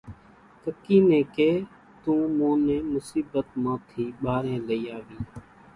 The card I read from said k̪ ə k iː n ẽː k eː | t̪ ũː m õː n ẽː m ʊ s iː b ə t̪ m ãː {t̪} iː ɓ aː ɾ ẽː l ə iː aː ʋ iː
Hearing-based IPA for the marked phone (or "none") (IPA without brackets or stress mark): t̪ʰ